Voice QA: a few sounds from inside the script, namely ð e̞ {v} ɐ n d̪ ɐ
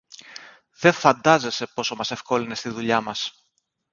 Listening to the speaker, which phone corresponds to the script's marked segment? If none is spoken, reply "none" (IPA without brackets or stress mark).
f